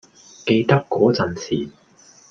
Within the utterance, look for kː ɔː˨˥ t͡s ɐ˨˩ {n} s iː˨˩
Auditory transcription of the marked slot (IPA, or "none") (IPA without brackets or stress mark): n